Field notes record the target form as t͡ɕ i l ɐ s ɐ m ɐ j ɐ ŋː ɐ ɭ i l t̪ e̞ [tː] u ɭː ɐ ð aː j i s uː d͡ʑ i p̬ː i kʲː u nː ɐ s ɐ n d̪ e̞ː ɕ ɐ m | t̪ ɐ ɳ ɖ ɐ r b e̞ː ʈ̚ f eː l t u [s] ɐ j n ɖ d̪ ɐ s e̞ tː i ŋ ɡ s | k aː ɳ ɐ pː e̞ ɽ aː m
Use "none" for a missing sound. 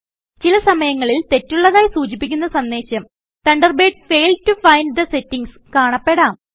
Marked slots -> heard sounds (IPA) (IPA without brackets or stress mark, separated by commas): tː, f